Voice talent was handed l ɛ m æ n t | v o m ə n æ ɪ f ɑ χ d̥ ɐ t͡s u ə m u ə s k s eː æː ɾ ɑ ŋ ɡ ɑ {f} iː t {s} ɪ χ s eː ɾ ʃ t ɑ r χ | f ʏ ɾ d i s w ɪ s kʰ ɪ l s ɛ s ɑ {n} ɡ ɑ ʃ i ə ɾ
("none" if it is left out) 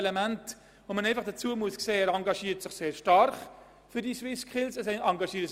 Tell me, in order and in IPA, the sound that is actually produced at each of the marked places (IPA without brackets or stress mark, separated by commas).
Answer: ʃ, s, ŋ